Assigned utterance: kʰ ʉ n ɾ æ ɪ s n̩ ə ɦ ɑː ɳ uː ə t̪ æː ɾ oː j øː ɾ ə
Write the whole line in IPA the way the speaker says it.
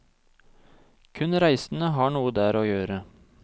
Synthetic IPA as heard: kʰ ʉ n ɾ æ ɪ s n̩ ə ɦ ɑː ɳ uː ə d̪ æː ɾ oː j øː ɾ ə